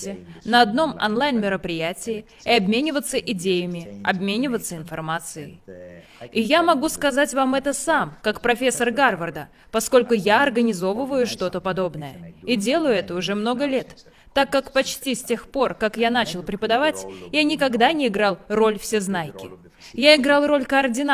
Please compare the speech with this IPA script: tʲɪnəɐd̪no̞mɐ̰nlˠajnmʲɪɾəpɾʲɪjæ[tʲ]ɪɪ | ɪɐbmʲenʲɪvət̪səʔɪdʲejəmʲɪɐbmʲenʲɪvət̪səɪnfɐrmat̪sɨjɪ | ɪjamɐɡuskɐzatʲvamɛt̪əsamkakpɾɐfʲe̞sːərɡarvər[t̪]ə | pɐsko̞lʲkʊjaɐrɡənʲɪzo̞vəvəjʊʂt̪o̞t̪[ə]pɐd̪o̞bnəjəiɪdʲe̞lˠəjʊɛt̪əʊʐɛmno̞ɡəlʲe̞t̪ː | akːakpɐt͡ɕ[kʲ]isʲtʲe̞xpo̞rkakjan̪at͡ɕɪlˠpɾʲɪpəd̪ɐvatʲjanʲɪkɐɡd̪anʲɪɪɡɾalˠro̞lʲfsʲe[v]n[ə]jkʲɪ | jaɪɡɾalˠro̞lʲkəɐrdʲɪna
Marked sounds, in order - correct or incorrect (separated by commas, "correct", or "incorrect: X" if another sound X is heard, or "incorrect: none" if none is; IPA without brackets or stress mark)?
correct, incorrect: d̪, correct, incorrect: tʲ, incorrect: z, incorrect: a